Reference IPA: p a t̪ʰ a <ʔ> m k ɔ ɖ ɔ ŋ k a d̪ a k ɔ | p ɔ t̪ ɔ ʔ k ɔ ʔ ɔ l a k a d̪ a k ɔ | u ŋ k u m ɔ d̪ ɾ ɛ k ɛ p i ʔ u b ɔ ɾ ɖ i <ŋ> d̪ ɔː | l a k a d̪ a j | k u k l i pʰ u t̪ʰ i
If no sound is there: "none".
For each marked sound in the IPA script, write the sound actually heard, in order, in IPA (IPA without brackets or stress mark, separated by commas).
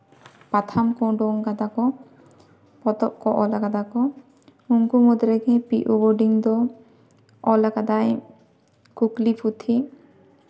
none, ŋ